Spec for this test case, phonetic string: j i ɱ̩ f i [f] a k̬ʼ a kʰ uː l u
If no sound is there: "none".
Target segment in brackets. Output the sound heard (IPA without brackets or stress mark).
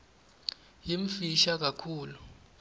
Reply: ʃ